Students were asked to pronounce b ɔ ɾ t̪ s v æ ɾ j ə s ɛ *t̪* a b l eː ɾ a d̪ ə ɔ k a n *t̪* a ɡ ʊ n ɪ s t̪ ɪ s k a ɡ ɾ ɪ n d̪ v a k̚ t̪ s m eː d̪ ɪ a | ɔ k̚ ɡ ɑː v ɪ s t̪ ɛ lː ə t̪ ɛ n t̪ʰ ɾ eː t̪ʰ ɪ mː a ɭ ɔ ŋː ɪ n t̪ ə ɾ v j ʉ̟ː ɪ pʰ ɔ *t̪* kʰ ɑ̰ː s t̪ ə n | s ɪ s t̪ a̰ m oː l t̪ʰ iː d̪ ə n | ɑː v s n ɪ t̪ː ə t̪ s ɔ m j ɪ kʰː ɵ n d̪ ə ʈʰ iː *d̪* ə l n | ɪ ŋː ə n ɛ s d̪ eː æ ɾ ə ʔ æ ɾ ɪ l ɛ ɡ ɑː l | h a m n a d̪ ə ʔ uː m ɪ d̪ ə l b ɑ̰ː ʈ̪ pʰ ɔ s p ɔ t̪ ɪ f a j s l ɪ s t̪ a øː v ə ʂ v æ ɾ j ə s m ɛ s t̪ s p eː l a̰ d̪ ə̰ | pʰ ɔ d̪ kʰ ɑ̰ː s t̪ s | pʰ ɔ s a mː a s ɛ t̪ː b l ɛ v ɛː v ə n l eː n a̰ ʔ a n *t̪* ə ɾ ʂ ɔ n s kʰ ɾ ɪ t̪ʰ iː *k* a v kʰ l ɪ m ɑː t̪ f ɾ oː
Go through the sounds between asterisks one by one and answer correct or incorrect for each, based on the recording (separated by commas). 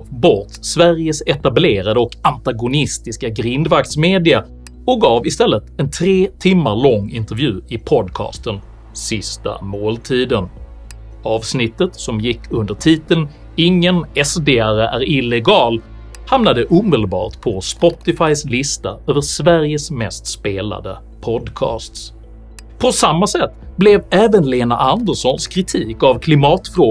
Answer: correct, correct, incorrect, incorrect, incorrect, correct